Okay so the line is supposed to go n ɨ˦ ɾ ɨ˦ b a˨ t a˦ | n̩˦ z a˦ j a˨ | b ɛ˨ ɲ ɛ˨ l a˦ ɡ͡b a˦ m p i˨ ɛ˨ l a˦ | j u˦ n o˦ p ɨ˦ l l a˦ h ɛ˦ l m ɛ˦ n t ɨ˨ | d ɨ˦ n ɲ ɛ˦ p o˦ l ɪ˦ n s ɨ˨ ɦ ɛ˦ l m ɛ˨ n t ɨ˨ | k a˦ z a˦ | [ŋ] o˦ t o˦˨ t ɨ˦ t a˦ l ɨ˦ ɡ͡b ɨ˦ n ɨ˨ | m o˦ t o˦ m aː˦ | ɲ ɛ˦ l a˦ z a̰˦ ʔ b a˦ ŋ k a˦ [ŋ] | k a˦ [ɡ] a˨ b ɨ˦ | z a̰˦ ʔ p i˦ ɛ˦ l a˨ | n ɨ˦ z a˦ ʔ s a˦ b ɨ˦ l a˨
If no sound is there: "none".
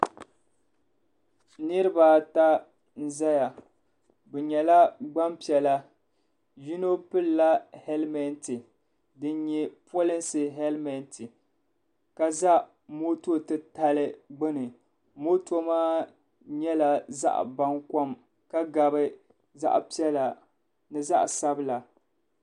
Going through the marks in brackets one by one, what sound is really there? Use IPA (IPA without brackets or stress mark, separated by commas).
m, m, ɡ